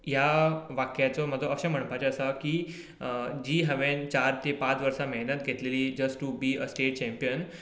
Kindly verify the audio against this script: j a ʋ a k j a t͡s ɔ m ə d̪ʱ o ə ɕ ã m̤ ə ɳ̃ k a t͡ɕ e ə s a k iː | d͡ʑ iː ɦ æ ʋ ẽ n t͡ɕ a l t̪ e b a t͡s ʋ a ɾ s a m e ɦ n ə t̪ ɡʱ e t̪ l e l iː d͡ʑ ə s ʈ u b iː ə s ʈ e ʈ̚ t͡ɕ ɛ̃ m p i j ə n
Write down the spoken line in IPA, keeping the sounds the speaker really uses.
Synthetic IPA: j a ʋ a k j a t͡s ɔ m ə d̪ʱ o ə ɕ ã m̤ ə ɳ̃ p a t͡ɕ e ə s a k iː | d͡ʑ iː ɦ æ ʋ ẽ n t͡ɕ a ɾ t̪ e p a t͡s ʋ ə ɾ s a m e ɦ n ə t̪ ɡʱ e t̪ l e l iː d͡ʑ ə s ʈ u b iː ə s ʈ e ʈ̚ t͡ɕ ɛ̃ m p i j ə n